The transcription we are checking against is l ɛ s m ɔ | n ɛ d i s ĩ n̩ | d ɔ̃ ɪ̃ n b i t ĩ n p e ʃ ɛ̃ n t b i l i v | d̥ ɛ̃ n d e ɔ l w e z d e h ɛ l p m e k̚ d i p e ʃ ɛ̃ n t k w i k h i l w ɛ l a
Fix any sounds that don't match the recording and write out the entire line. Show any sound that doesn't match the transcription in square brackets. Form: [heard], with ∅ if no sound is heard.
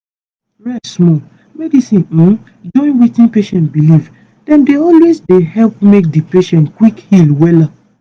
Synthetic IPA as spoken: [ɹ] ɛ s m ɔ | [m] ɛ d i s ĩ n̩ | [d͡ʒ] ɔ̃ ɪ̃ n [w] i t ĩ n p e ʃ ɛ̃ n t b i l i v | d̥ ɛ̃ n d e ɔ l w e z d e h ɛ l p m e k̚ d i p e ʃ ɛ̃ n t k w i k h i l w ɛ l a